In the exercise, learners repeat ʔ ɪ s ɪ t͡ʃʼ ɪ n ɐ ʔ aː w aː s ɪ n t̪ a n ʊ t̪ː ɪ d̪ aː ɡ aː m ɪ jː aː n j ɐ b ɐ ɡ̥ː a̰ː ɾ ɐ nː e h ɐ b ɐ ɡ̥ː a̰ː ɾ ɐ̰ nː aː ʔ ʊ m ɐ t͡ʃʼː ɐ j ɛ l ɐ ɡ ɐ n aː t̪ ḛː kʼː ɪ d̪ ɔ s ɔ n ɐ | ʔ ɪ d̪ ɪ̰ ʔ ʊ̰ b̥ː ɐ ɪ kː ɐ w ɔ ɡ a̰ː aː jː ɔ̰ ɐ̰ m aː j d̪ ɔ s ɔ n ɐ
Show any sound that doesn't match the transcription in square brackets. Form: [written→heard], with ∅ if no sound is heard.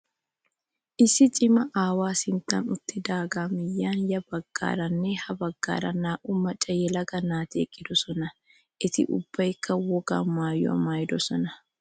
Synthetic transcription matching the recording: ʔ ɪ s ɪ t͡ʃʼ ɪ [n→m] ɐ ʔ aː w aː s ɪ n t̪ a n ʊ t̪ː ɪ d̪ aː ɡ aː m ɪ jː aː n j ɐ b ɐ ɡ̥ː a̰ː ɾ ɐ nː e h ɐ b ɐ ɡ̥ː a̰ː ɾ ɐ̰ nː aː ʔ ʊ m ɐ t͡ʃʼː ɐ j ɛ l ɐ ɡ ɐ n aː t̪ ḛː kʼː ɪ d̪ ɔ s ɔ n ɐ | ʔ ɪ [d̪→t̪] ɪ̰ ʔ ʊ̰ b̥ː ɐ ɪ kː ɐ w ɔ ɡ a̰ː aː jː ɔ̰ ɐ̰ m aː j d̪ ɔ s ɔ n ɐ